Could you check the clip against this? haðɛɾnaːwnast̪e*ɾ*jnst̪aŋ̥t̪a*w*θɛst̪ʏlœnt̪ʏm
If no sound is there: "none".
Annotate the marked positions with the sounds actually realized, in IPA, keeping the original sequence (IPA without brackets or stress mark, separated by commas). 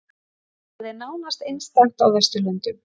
none, w